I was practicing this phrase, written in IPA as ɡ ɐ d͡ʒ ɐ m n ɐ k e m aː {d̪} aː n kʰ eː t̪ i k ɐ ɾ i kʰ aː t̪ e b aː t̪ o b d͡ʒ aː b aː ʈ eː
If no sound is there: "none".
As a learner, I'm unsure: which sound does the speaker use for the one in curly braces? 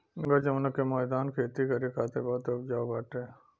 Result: d̪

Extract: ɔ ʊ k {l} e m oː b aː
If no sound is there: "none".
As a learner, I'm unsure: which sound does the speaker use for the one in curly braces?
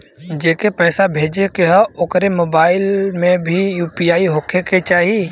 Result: ɾ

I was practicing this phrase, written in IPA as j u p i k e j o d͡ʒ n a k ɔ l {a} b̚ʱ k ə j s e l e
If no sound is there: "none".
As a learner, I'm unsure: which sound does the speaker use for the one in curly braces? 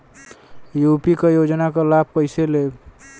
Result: a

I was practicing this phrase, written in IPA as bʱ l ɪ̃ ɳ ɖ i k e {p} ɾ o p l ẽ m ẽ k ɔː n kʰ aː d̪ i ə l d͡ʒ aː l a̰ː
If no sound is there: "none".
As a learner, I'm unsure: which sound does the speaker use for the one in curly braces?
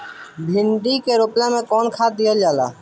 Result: none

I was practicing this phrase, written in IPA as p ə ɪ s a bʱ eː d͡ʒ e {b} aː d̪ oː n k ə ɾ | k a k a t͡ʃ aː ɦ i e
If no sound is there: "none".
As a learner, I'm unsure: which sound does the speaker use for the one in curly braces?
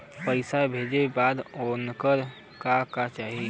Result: b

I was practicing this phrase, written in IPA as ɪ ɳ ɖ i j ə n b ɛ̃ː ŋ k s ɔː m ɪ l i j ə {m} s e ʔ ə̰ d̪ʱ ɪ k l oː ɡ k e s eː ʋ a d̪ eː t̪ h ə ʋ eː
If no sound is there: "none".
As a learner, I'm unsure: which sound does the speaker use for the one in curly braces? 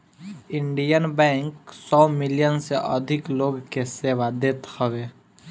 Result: n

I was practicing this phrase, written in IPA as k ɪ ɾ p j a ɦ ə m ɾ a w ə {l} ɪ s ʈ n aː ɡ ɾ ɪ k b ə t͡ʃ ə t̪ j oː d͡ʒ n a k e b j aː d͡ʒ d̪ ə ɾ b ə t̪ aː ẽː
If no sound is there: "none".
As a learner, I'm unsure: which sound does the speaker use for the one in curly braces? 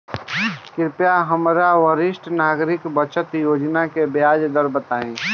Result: ɾ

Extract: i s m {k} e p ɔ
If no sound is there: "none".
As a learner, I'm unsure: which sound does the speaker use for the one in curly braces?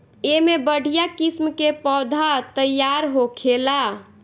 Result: k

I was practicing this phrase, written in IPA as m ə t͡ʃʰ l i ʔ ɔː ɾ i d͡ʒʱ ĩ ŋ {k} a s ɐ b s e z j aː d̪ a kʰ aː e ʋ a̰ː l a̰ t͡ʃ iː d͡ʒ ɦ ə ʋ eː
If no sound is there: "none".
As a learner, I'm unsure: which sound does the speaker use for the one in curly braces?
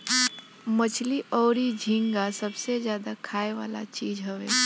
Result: ɡ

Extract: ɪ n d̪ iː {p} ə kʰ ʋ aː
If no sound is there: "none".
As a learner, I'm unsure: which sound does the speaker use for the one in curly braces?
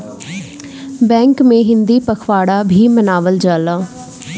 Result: p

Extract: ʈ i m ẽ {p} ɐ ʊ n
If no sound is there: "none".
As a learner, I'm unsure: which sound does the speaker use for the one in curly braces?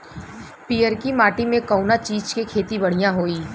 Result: k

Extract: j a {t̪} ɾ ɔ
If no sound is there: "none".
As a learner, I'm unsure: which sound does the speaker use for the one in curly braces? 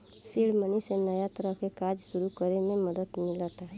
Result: t̪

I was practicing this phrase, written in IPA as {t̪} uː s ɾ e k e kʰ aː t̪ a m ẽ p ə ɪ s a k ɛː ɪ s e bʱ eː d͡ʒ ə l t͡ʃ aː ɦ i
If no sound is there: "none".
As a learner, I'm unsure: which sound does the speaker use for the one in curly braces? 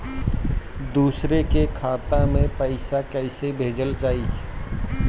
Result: d̪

